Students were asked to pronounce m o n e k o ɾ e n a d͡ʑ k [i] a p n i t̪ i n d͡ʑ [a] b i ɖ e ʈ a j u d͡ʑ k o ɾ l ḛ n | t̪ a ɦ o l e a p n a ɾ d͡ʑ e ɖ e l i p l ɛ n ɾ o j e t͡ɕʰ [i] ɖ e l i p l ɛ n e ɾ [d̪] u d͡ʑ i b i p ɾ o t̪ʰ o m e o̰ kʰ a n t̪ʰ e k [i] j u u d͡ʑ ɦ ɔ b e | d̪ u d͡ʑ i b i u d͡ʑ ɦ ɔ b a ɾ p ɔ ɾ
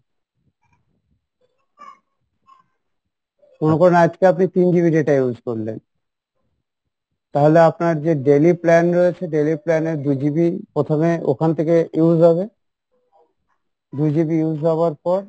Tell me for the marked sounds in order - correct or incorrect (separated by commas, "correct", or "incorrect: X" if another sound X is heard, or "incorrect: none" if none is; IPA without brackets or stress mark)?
incorrect: e, incorrect: i, incorrect: e, correct, incorrect: e